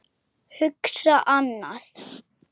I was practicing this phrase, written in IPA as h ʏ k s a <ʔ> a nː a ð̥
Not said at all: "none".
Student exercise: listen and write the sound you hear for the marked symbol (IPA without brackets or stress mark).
ʔ